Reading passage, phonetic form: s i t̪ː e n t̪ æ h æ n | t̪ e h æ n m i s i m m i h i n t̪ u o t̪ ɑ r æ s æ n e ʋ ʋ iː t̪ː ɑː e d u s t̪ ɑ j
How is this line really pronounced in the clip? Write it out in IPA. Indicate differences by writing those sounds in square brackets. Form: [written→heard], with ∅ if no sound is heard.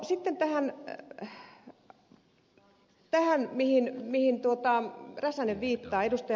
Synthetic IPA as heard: s i t̪ː e n t̪ æ h æ n | t̪ [e→æ] h æ n m i [s→h] i [m→n] m i h i n t̪ u o t̪ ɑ r æ s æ n e ʋ ʋ iː t̪ː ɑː e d u s t̪ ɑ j